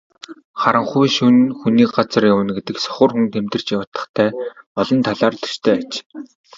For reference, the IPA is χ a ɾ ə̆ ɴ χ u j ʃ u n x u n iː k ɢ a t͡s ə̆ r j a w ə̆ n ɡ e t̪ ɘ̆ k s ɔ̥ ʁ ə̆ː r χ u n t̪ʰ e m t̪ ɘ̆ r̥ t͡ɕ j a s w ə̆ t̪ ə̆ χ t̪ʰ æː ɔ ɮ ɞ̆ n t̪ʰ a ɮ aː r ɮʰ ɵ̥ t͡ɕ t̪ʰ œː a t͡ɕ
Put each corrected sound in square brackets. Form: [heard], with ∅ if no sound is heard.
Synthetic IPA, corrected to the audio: χ a ɾ ə̆ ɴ χ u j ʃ u n x u n iː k ɢ a t͡s ə̆ r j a w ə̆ n ɡ e t̪ ɘ̆ k s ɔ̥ [χ] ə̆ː r [x] u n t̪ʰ e m t̪ ɘ̆ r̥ t͡ɕ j a [∅] w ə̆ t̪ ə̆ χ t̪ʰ æː ɔ ɮ ɞ̆ n t̪ʰ a ɮ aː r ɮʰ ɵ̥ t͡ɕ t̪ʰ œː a t͡ɕ